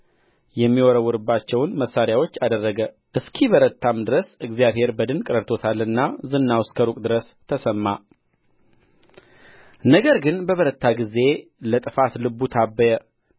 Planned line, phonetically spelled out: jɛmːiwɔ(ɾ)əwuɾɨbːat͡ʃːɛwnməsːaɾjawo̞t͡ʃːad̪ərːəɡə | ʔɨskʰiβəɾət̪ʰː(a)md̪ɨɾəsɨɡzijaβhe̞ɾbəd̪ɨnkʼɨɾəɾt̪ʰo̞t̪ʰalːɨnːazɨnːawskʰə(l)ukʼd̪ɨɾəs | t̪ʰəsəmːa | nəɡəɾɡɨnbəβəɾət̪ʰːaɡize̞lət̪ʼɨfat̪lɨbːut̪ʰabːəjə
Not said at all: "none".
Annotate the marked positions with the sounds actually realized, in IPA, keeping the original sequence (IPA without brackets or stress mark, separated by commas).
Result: ɾ, a, ɾ